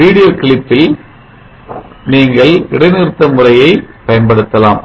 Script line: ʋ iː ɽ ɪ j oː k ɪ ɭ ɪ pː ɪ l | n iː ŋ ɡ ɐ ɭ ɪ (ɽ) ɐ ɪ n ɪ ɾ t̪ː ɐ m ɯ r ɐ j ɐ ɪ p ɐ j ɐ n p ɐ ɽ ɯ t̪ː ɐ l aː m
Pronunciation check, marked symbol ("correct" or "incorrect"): correct